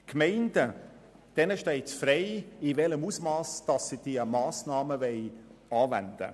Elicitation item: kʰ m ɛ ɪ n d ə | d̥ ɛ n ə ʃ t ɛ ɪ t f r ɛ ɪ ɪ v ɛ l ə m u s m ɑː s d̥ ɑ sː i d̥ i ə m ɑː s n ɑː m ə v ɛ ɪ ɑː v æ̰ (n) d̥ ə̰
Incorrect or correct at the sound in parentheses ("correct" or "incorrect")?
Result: correct